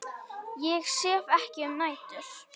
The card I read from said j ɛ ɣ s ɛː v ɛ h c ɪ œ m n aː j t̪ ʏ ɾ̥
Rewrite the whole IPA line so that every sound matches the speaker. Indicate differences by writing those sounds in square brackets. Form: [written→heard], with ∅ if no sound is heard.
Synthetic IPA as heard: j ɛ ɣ s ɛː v ɛ h c ɪ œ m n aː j t̪ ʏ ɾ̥